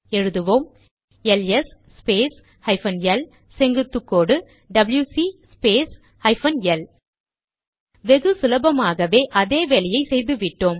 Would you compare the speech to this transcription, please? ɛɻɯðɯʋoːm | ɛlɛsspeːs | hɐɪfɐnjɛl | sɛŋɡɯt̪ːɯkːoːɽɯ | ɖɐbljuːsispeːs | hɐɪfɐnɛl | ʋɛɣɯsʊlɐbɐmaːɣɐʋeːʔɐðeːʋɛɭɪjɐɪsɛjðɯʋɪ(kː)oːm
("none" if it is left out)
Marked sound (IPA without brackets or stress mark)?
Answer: ʈː